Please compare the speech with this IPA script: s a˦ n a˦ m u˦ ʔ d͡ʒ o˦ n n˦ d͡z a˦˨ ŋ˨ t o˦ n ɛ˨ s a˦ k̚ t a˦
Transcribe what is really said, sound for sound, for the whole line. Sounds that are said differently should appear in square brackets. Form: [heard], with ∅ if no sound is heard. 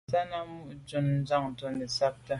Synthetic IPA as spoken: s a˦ n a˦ m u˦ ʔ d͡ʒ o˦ n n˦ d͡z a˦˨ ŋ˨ t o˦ n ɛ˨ s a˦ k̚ t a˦